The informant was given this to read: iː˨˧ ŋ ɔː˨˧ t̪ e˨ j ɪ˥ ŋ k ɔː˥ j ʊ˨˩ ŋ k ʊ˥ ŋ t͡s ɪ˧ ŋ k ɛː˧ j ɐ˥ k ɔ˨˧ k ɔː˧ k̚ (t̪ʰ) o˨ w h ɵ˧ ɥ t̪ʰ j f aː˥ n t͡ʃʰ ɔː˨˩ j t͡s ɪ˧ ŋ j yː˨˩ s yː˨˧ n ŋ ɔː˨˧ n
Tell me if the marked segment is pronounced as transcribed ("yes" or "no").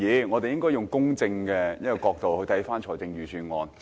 no